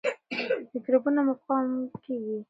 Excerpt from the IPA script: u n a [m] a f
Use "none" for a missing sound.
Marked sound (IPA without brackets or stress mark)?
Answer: m